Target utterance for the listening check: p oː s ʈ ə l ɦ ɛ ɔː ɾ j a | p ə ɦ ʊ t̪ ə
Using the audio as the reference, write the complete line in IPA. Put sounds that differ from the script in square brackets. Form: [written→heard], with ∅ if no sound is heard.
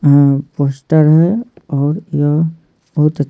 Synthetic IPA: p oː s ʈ ə [l→ɾ] ɦ ɛ ɔː ɾ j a | [p→b] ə ɦ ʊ t̪ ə